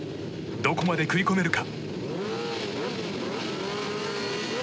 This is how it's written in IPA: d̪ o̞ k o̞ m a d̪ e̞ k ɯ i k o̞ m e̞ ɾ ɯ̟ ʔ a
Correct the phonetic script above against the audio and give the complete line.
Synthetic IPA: d̪ o̞ k o̞ m a d̪ e̞ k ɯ i k o̞ m e̞ ɾ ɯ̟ k a